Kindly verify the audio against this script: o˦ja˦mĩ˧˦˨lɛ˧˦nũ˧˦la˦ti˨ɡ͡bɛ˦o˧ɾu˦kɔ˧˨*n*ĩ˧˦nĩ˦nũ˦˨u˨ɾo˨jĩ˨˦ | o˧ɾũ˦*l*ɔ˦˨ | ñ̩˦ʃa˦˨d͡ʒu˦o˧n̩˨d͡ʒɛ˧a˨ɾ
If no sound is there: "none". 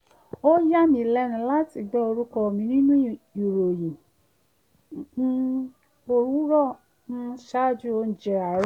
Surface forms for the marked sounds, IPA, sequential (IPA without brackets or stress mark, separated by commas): m, ɾ